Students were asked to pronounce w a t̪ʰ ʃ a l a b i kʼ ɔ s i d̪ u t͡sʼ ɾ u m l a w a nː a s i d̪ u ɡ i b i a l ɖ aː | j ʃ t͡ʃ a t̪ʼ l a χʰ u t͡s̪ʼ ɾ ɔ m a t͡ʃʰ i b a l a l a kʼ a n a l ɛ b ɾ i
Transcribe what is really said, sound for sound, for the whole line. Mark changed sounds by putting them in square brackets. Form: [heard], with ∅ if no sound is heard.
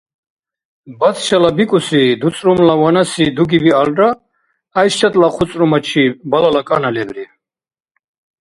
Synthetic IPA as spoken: [b] a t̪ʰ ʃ a l a b i kʼ [u] s i d̪ u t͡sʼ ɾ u m l a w a [n] a s i d̪ u ɡ i b i a l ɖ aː | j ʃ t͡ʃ a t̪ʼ l a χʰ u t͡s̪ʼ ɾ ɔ m a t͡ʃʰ i b a l a l a kʼ a n a l ɛ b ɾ i